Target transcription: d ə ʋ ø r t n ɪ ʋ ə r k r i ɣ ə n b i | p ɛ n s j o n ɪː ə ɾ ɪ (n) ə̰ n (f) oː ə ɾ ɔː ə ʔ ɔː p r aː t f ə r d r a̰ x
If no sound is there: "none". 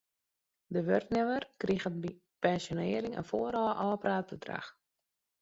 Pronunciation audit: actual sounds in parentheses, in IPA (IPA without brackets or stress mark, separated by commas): ŋ, f